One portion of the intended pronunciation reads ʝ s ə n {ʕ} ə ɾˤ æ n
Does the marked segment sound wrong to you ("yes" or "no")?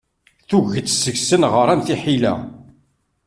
yes